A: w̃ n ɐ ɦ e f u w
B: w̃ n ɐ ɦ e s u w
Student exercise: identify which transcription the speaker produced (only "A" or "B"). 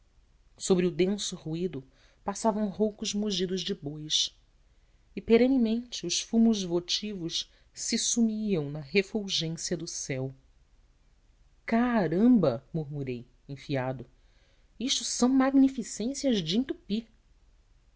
A